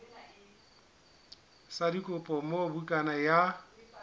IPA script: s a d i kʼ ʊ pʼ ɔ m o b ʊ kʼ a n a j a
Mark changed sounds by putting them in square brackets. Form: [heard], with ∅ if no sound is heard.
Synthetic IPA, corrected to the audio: s a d i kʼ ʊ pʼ ɔ m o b [u] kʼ a n a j a